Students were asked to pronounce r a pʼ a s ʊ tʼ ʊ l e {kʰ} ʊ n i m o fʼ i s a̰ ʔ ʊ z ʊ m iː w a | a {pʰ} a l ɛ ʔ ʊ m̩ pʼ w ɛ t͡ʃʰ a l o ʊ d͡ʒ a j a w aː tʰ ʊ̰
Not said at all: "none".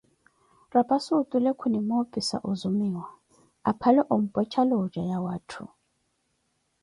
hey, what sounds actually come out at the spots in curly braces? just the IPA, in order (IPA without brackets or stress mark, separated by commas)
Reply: kʰ, pʰ